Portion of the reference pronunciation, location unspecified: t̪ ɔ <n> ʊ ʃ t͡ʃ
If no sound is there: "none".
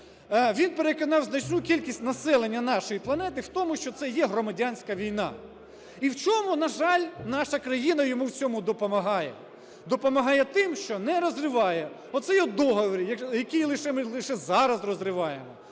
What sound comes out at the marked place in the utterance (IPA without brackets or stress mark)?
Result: m